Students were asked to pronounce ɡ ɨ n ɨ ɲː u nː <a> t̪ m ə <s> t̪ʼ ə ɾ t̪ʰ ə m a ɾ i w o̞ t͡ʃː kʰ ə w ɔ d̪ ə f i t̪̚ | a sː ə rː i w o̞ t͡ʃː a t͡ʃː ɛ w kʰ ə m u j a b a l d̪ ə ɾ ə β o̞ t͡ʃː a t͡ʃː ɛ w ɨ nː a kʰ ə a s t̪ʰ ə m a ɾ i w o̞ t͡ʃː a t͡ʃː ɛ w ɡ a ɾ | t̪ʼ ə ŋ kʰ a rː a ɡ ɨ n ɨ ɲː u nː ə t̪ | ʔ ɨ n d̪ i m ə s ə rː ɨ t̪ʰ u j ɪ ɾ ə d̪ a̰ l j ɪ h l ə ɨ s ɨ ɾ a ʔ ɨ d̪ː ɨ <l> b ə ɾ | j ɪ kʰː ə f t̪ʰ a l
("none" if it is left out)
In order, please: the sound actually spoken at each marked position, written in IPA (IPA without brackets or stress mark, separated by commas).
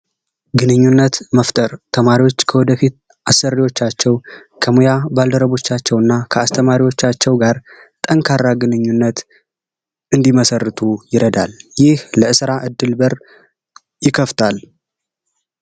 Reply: ə, f, l